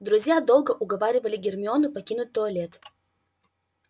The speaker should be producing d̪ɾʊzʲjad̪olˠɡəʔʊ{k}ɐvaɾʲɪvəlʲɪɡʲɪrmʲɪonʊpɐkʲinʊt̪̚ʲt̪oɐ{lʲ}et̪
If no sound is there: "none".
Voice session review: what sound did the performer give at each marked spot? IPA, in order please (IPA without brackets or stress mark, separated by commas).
ɡ, lʲ